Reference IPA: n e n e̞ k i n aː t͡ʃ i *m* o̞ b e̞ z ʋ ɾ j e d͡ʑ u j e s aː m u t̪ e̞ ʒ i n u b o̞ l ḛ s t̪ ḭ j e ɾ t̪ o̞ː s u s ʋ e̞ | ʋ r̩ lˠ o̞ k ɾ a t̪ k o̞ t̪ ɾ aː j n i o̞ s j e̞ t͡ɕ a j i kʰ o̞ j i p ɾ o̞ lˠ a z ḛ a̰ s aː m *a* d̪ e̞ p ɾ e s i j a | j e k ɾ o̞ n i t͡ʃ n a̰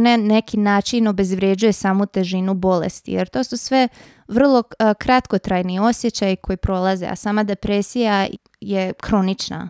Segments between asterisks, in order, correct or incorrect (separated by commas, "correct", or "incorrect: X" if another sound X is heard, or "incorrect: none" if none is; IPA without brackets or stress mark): incorrect: n, correct